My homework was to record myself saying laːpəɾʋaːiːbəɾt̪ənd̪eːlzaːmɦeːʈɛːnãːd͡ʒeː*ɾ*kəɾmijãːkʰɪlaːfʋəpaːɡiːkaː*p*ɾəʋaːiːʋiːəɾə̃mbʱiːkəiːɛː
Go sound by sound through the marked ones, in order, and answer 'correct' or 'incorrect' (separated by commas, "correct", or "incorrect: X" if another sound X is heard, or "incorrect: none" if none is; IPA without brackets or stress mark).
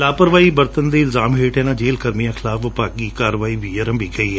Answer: incorrect: l, incorrect: none